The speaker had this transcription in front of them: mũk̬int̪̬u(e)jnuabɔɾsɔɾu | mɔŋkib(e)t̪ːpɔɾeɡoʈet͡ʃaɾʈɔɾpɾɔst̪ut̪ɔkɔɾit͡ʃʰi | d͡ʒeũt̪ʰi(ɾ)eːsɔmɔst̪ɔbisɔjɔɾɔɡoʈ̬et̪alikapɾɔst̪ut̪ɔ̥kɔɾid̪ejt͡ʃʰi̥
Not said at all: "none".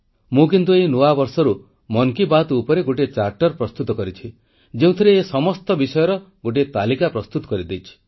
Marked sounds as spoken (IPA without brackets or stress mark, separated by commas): e, a, ɾ